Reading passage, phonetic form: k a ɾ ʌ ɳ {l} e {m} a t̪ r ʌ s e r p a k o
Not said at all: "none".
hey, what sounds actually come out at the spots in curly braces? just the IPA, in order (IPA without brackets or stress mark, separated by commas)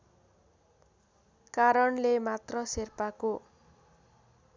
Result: l, m